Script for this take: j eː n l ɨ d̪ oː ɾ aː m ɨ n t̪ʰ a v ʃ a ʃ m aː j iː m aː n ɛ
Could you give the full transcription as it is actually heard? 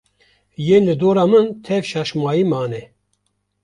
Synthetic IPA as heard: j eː n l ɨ d̪ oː ɾ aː m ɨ n t̪ʰ ɛ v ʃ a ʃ m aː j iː m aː n ɛ